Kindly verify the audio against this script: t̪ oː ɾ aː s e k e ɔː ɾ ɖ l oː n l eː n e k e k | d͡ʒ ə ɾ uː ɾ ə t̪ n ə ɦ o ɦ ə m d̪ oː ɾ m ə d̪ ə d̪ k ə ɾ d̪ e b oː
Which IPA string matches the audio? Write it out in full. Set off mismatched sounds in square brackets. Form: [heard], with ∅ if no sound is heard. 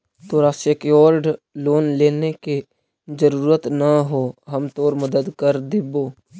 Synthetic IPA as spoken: t̪ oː ɾ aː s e k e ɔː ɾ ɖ l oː n l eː n e k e [∅] | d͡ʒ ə ɾ uː ɾ ə t̪ n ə ɦ o ɦ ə m [t̪] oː ɾ m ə d̪ ə d̪ k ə ɾ d̪ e b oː